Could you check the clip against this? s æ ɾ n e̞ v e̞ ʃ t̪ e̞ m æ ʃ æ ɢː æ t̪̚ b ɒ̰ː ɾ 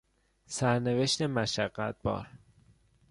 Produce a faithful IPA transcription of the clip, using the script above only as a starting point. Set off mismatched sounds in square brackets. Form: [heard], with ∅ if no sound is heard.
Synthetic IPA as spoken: s æ ɾ n e̞ v e̞ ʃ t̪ e̞ m æ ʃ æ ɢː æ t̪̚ b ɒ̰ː ɾ